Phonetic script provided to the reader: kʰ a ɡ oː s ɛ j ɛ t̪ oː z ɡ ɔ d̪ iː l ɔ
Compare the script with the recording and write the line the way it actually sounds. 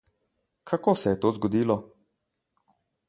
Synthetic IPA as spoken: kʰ a k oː s ɛ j ɛ t̪ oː z ɡ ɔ d̪ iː l ɔ